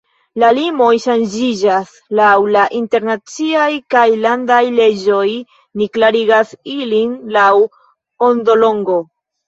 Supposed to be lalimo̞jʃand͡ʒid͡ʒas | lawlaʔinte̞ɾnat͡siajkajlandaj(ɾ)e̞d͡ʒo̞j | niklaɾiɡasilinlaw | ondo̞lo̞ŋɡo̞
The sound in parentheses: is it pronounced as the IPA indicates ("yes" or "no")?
no